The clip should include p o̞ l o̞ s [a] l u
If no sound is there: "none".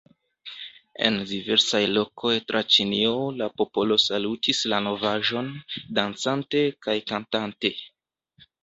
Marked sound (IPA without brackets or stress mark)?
a